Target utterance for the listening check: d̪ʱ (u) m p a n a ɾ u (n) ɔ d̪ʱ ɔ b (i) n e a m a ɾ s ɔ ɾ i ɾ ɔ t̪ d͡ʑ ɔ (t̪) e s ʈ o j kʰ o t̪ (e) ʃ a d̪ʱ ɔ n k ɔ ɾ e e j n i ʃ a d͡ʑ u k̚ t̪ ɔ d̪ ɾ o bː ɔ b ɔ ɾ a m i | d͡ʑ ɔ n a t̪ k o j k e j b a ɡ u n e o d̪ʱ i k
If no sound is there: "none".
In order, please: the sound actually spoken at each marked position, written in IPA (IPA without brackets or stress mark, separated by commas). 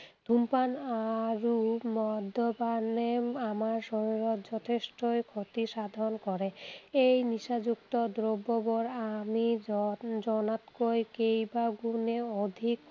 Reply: u, m, a, t̪ʰ, i